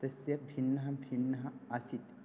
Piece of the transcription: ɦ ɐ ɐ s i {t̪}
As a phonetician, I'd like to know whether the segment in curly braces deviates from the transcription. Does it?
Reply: no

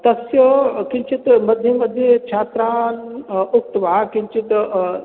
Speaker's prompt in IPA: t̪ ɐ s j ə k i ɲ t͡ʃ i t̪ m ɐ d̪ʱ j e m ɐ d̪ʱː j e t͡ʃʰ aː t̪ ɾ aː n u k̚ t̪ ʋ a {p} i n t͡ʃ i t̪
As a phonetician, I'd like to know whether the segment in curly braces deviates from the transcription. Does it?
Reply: yes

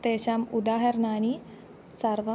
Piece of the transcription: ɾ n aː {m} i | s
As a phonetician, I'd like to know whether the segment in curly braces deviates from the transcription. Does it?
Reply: yes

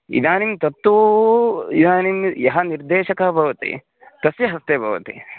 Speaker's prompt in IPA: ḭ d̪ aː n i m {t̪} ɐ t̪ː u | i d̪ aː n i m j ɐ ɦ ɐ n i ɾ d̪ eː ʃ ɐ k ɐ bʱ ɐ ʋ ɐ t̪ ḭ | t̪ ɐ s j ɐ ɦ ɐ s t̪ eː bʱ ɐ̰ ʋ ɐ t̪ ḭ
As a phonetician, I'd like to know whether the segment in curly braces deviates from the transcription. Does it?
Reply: no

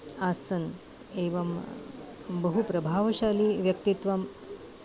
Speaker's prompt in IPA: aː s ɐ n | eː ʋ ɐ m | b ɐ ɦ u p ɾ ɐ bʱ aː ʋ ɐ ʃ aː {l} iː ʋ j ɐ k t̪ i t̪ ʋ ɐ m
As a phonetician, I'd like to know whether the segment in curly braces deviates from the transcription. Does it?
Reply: no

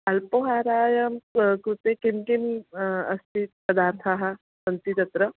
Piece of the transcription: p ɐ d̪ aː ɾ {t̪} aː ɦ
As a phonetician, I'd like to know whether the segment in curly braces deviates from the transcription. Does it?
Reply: yes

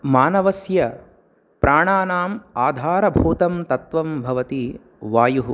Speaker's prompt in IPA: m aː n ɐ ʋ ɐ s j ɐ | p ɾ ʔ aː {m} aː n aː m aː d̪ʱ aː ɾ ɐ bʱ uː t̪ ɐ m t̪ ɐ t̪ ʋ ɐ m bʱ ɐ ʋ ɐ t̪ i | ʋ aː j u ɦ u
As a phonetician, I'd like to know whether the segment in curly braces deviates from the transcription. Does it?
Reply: yes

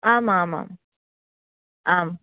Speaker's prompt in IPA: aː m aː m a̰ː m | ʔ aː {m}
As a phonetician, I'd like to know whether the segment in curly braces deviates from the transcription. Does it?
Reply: no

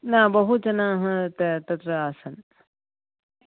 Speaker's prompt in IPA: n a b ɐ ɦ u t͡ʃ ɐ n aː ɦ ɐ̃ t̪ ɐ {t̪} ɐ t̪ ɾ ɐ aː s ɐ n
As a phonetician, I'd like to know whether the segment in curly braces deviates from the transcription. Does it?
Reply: no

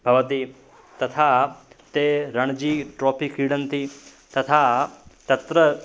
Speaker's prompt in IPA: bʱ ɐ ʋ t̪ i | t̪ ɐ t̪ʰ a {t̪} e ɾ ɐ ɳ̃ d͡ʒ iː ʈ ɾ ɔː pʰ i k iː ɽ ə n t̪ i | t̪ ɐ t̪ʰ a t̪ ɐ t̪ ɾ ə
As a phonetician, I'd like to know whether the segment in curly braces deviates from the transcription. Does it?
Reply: no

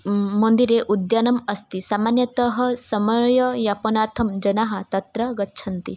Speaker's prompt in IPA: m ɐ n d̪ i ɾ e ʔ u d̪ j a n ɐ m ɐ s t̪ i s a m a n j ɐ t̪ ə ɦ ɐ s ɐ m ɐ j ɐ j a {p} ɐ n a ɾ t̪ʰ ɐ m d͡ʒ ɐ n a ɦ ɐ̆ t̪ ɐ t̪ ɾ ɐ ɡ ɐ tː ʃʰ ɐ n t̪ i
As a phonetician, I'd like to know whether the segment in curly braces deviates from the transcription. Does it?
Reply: no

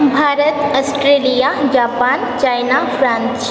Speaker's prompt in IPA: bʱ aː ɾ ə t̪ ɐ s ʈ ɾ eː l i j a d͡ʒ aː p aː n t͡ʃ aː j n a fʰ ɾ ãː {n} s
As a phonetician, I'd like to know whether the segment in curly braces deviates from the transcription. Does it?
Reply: no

